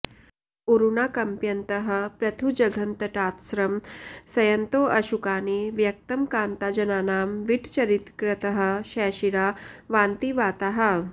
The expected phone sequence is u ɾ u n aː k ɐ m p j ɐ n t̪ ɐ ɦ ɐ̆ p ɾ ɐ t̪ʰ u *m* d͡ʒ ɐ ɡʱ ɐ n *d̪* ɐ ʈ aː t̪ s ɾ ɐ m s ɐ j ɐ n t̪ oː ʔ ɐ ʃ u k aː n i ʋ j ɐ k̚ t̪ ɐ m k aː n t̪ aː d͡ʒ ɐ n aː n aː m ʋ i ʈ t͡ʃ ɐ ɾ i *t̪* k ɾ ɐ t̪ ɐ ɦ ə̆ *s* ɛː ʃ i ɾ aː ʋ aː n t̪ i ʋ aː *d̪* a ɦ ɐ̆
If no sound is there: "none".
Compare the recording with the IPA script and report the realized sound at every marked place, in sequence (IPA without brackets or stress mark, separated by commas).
none, t̪, t̪, ʃ, t̪